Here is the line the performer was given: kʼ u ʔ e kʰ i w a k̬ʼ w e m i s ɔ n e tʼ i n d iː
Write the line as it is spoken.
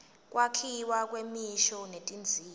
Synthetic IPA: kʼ w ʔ a kʰ i w a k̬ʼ w e m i ʃ ɔ n e tʼ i n d͡zʱ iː